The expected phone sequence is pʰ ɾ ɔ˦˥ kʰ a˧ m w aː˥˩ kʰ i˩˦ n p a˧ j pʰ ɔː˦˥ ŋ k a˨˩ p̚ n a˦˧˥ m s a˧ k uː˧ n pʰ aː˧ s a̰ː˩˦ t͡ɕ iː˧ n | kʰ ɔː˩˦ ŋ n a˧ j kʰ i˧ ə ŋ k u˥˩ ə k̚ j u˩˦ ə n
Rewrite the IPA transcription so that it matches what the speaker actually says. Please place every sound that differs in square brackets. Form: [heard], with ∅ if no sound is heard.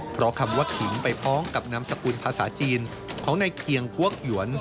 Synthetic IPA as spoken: pʰ ɾ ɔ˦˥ kʰ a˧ m w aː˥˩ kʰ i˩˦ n p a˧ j pʰ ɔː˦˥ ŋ k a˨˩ p̚ n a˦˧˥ m s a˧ k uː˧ n pʰ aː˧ s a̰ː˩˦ t͡ɕ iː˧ n | kʰ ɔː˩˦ ŋ n a˧ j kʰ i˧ ə ŋ k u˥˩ ə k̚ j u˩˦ ə n